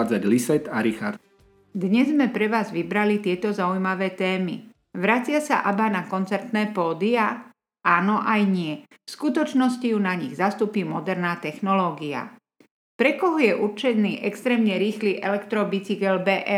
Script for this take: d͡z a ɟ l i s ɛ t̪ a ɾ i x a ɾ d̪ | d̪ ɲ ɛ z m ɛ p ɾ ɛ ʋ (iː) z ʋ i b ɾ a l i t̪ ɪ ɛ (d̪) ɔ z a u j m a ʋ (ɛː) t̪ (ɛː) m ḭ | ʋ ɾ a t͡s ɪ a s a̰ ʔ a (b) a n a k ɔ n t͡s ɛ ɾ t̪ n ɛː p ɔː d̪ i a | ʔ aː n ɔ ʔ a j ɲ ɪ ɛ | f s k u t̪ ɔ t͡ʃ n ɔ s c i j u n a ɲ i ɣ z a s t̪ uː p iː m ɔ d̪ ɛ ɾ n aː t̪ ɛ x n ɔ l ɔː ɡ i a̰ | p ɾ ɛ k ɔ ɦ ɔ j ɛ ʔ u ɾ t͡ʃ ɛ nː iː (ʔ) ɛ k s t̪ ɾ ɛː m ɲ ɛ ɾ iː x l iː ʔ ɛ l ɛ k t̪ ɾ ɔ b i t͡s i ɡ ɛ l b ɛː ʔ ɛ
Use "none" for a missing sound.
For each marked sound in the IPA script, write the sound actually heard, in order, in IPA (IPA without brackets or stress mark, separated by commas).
aː, t̪, ɛː, ɛː, b, ʔ